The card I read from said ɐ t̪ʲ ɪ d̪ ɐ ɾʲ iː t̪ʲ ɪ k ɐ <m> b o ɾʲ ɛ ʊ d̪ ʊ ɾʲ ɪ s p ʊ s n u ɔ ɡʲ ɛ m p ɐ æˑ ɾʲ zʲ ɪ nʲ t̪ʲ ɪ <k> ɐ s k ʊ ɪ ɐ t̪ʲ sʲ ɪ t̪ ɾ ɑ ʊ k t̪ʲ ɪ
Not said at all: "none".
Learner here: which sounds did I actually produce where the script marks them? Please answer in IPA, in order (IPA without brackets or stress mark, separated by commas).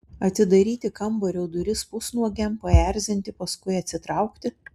m, p